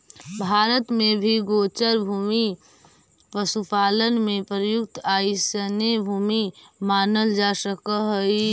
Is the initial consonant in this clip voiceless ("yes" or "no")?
no